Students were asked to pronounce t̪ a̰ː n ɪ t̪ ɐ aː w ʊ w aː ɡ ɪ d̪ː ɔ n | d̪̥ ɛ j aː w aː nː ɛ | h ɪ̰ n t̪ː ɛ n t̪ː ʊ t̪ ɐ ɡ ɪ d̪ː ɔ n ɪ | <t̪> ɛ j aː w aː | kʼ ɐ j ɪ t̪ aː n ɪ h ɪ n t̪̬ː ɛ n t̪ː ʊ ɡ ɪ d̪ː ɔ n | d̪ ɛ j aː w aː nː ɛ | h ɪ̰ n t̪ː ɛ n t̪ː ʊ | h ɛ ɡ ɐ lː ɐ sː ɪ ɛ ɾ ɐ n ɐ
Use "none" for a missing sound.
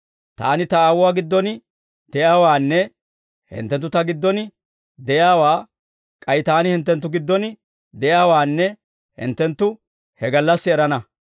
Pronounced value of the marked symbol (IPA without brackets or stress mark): d̪